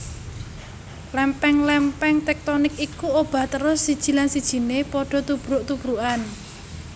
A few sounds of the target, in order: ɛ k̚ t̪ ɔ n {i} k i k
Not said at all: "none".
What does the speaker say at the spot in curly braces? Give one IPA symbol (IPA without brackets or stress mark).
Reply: ɪ